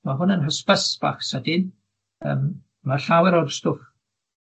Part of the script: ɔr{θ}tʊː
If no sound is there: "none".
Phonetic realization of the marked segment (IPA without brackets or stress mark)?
s